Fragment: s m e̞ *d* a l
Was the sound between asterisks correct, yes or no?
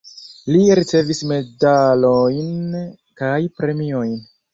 yes